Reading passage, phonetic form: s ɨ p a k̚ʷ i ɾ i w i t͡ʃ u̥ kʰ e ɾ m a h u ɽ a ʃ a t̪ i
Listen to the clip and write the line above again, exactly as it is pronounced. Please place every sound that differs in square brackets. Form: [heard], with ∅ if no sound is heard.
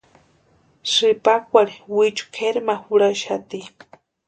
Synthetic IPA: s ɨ p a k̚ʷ [a] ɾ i w i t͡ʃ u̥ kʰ e ɾ m a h u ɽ a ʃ a t̪ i